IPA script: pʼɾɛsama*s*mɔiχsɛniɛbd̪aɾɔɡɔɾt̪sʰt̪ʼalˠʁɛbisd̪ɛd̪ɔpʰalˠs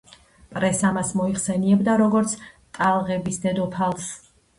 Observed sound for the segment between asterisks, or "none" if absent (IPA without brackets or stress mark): s